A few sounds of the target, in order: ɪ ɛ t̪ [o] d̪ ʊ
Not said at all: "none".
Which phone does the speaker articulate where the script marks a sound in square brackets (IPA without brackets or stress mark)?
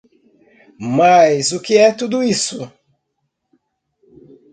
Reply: u